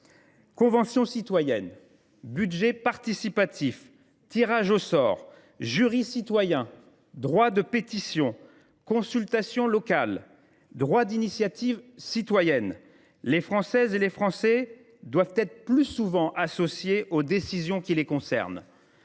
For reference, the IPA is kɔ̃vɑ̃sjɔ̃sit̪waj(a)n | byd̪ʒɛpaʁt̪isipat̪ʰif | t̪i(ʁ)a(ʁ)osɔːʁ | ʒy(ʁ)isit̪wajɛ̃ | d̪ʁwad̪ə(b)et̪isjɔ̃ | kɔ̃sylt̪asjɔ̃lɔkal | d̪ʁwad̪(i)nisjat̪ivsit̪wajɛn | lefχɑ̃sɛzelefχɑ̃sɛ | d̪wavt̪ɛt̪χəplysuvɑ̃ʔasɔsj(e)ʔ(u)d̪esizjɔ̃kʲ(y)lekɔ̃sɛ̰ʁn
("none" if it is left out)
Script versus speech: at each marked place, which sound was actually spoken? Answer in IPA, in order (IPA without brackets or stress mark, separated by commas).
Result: ɛ, ʁ, ʒ, ʁ, p, i, e, o, i